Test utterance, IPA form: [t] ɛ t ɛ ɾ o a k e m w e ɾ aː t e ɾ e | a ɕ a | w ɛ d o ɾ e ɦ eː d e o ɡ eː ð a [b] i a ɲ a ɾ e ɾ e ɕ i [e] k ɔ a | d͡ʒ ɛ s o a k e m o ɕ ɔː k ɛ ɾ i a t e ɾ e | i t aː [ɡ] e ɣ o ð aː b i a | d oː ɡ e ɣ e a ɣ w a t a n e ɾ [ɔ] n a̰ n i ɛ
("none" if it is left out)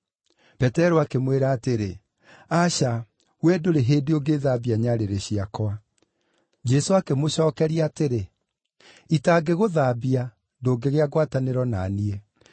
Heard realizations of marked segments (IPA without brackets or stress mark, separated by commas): p, b, a, ɡ, ɔ